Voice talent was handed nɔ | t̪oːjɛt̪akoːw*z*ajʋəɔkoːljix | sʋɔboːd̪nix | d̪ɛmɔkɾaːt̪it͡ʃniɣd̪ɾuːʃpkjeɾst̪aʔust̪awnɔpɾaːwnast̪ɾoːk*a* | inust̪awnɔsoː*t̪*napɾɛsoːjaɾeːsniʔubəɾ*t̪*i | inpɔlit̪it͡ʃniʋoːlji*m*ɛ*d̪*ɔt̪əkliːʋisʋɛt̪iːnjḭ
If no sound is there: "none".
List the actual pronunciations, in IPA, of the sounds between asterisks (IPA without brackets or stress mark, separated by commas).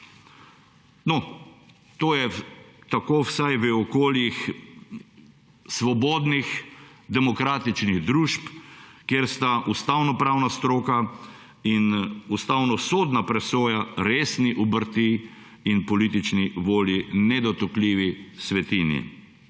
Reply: s, a, d̪, t̪, n, d̪